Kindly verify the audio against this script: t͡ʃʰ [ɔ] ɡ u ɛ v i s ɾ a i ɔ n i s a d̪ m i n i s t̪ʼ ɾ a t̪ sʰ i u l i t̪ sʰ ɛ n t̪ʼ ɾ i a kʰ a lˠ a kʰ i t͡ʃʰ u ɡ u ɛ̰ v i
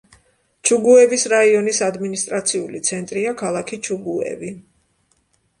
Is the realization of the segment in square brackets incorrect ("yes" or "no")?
yes